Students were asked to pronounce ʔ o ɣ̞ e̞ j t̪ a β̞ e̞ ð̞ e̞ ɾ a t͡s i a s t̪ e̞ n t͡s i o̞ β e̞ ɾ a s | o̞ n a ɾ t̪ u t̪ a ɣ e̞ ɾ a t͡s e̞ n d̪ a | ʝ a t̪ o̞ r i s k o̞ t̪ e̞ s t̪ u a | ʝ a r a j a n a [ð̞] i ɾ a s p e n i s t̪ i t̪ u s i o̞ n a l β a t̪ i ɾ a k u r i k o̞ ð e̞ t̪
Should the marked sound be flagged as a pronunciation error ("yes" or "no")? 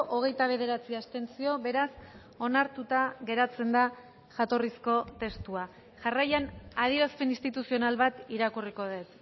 no